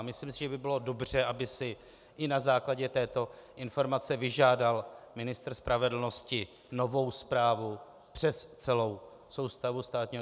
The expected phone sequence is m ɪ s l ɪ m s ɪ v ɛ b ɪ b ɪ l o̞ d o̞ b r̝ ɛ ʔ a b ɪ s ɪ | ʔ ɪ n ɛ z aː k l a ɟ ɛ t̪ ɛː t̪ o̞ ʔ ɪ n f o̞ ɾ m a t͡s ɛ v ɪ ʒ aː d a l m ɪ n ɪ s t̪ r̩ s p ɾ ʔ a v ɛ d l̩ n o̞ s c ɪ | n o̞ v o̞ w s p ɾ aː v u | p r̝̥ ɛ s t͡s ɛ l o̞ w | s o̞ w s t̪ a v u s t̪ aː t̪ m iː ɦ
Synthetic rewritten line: m ɪ s l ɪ m s ɪ ʒ ɛ b ɪ b ɪ l o̞ d o̞ b r̝ ɛ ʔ a b ɪ s ɪ | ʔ ɪ n a z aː k l a ɟ ɛ t̪ ɛː t̪ o̞ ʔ ɪ n f o̞ ɾ m a t͡s ɛ v ɪ ʒ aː d a l m ɪ n ɪ s t̪ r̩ s p ɾ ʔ a v ɛ d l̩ n o̞ s c ɪ | n o̞ v o̞ w s p ɾ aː v u | p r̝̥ ɛ s t͡s ɛ l o̞ w | s o̞ w s t̪ a v u s t̪ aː t̪ ɲ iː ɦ

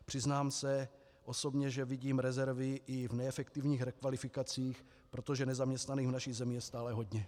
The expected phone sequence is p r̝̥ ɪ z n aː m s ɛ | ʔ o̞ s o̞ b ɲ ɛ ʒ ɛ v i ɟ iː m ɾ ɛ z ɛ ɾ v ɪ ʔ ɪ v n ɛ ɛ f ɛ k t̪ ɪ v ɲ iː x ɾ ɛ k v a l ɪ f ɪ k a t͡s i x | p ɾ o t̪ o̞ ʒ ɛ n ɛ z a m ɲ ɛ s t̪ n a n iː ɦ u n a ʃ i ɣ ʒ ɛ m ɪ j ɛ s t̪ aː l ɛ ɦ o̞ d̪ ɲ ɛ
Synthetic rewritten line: p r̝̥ ɪ z n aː m s ɛ | ʔ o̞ s o̞ b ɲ ɛ ʒ ɛ v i ɟ iː m ɾ ɛ z ɛ ɾ v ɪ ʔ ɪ v n ɛ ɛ f ɛ k t̪ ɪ v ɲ iː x ɾ ɛ k v a l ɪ f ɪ k a t͡s iː x | p ɾ o t̪ o̞ ʒ ɛ n ɛ z a m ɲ ɛ s t̪ n a n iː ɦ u n a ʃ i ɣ z ɛ m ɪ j ɛ s t̪ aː l ɛ ɦ o̞ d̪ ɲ ɛ

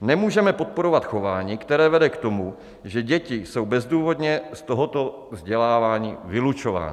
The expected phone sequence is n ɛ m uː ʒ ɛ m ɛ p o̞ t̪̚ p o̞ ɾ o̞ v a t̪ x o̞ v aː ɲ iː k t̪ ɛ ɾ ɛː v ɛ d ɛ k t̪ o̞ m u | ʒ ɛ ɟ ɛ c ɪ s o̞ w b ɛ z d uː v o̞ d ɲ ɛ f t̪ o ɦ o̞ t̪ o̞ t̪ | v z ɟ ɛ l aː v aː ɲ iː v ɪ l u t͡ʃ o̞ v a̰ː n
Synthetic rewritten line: n ɛ m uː ʒ ɛ m ɛ p o̞ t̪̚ p o̞ ɾ o̞ v a t̪ x o̞ v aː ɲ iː k t̪ ɛ ɾ ɛː v ɛ d ɛ k t̪ o̞ m u | ʒ ɛ ɟ ɛ c ɪ s o̞ w b ɛ z d uː v o̞ d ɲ ɛ s t̪ o ɦ o̞ t̪ o̞ | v z ɟ ɛ l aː v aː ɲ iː v ɪ l u t͡ʃ o̞ v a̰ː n

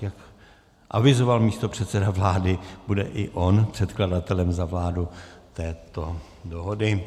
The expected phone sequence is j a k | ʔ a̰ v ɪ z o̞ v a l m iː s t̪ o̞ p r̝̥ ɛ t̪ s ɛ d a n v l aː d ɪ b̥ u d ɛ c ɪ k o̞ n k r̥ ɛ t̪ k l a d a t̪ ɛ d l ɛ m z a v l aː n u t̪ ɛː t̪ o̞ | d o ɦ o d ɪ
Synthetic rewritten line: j a k | ʔ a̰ v ɪ z o̞ v a l m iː s t̪ o̞ p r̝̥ ɛ t̪ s ɛ d a v l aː d ɪ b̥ u d ɛ ʔ ɪ ʔ o̞ n p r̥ ɛ t̪ k l a d a t̪ ɛ l ɛ m z a v l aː d u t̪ ɛː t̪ o̞ | d o ɦ o d ɪ

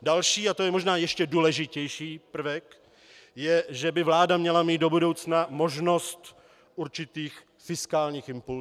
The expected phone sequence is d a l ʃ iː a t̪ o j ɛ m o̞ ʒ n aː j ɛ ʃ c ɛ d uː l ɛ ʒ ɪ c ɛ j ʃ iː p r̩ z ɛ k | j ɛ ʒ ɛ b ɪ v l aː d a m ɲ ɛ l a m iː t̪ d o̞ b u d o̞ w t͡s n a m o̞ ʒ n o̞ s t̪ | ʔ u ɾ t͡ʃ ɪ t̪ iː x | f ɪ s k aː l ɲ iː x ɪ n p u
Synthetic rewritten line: d a l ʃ iː a t̪ o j ɛ m o̞ ʒ n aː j ɛ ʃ c ɛ d uː l ɛ ʒ ɪ c ɛ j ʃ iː p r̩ v ɛ k | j ɛ ʒ ɛ b ɪ v l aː d a m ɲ ɛ l a m iː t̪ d o̞ b u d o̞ w t͡s n a m o̞ ʒ n o̞ s t̪ | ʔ u ɾ t͡ʃ ɪ t̪ iː x | f ɪ s k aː l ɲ iː x ɪ m p u

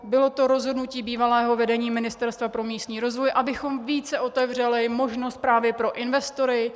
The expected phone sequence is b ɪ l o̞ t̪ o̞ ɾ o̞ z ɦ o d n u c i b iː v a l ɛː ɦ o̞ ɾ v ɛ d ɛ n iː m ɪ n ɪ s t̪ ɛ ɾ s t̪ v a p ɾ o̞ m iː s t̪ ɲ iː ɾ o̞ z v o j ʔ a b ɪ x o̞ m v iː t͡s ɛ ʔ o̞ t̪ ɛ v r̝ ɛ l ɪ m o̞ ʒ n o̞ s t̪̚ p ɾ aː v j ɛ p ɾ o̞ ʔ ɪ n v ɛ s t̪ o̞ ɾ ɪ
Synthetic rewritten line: b ɪ l o̞ t̪ o̞ ɾ o̞ z ɦ o d n u c iː b iː v a l ɛː ɦ o̞ v ɛ d ɛ ɲ iː m ɪ n ɪ s t̪ ɛ ɾ s t̪ v a p ɾ o̞ m iː s t̪ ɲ iː ɾ o̞ z v o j ʔ a b ɪ x o̞ m v iː t͡s ɛ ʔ o̞ t̪ ɛ v r̝ ɛ l ɪ m o̞ ʒ n o̞ s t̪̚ p ɾ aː v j ɛ p ɾ o̞ ʔ ɪ n v ɛ s t̪ o̞ ɾ ɪ

